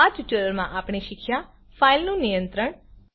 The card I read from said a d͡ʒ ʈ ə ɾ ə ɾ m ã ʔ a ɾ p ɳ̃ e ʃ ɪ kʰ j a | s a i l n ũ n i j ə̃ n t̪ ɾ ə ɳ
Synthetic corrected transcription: a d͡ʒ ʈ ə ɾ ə ɾ m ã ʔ a p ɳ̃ e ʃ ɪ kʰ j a | f a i l n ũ n i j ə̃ n t̪ ɾ ə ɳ